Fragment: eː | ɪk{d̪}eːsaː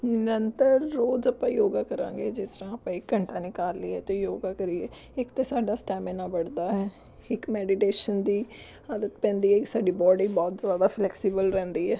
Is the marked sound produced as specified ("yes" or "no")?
no